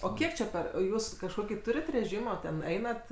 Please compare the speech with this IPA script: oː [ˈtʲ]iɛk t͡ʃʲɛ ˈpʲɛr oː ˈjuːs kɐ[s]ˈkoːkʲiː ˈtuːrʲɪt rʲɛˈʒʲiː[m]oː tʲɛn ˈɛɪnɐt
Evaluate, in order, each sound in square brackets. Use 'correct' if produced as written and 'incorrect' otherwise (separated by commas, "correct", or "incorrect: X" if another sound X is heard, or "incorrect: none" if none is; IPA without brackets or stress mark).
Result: incorrect: kʲ, incorrect: ʃ, correct